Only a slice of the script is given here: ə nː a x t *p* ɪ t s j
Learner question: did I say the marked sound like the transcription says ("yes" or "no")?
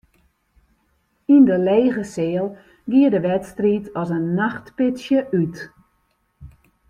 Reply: yes